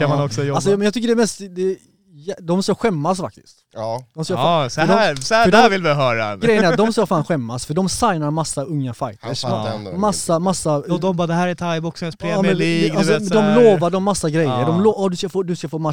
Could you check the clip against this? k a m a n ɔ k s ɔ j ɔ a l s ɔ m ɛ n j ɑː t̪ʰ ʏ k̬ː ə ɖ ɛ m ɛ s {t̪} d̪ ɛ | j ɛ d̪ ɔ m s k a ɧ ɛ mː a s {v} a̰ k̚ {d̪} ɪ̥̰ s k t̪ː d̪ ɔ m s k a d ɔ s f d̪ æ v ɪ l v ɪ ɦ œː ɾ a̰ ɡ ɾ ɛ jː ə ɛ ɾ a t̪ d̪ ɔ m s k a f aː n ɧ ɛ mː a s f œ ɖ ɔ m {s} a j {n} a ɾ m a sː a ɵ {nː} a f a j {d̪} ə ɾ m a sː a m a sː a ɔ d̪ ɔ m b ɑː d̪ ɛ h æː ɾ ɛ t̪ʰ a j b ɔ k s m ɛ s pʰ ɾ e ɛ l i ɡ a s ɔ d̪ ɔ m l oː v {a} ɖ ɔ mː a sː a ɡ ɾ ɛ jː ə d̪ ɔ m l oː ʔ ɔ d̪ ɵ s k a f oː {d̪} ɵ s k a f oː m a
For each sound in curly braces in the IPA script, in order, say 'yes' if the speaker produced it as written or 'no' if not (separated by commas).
yes, no, no, yes, yes, no, no, yes, yes